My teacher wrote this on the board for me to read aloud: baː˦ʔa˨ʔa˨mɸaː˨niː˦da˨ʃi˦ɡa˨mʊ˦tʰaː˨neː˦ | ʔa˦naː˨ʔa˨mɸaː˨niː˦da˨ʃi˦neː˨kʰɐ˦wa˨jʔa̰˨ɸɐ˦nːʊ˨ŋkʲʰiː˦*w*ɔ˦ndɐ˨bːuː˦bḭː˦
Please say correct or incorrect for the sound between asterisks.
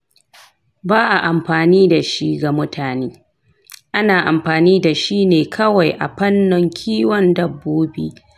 correct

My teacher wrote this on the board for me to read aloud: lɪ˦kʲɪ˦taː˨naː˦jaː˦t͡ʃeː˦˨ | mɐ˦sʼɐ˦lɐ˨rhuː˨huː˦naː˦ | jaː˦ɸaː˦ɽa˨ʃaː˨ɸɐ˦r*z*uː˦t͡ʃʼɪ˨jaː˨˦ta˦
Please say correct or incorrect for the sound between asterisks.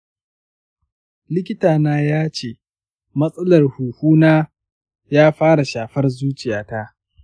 correct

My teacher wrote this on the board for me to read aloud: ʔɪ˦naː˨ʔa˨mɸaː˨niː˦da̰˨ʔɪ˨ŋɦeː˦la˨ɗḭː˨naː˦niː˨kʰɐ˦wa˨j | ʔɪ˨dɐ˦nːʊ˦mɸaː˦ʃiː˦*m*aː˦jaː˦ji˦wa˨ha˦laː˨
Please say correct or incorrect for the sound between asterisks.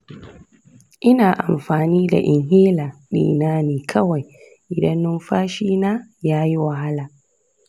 incorrect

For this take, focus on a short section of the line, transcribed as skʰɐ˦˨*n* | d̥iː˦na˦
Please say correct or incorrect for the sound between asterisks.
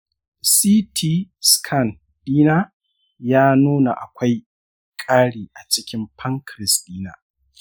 correct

